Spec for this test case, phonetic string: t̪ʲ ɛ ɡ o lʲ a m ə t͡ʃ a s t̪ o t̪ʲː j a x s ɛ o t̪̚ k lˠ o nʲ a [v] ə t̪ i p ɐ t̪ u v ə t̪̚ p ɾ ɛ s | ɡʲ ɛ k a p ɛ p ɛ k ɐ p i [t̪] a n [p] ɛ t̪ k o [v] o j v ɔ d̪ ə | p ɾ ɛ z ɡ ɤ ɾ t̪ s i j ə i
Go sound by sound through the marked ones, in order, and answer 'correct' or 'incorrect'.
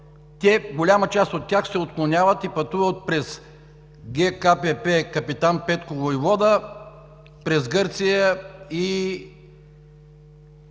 correct, correct, correct, correct

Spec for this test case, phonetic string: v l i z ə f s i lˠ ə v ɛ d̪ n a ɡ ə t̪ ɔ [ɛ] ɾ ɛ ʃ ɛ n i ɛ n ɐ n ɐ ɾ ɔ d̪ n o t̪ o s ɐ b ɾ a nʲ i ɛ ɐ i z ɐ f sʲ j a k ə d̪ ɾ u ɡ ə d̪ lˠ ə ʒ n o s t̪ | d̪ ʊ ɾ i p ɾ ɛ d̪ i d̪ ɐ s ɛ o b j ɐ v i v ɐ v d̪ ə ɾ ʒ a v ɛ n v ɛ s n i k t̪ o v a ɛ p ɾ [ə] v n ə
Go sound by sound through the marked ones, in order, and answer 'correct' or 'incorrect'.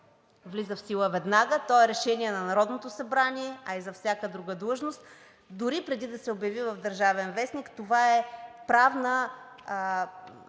correct, incorrect: a

